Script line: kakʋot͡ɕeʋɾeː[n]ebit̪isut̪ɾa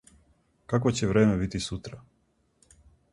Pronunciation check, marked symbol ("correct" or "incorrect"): incorrect